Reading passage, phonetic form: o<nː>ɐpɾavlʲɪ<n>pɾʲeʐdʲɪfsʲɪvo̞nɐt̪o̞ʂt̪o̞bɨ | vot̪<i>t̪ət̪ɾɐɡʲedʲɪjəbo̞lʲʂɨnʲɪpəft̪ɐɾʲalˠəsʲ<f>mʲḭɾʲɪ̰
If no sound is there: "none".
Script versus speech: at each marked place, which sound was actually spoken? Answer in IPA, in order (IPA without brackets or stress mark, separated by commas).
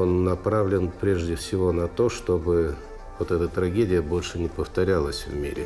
nː, n, ɛ, v